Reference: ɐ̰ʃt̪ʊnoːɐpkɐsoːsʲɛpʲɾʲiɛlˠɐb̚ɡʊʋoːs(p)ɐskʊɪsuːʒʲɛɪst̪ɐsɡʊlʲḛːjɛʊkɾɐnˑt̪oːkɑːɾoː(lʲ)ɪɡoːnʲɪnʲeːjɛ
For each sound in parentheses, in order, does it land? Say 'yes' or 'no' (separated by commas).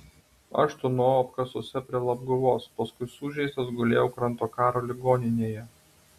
yes, yes